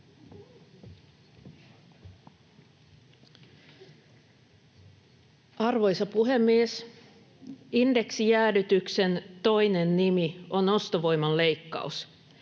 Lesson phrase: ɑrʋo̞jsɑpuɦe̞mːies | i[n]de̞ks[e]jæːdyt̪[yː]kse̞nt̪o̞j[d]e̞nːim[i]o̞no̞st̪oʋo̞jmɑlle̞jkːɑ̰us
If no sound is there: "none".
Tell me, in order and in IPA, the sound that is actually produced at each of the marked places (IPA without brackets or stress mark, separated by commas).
n, i, y, n, i